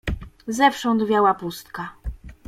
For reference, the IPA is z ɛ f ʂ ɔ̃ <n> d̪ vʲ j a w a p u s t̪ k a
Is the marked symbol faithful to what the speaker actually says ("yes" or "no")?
yes